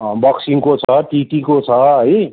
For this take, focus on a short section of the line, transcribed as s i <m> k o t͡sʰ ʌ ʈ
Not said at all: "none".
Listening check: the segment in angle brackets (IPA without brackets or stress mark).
ŋ